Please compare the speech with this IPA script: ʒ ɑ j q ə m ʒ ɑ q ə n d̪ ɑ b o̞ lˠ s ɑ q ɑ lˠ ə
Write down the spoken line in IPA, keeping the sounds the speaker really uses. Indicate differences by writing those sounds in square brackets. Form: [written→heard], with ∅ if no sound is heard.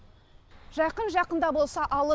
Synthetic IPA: ʒ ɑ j q ə [m→n] ʒ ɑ q ə n d̪ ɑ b o̞ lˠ s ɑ [q→ʔ] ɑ lˠ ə